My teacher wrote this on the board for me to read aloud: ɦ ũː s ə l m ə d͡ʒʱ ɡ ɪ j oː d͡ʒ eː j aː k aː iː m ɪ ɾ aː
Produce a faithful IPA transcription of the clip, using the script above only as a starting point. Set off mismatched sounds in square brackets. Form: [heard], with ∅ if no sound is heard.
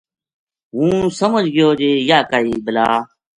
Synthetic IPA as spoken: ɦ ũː s ə [∅] m ə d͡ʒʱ ɡ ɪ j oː d͡ʒ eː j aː k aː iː [b] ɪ [l] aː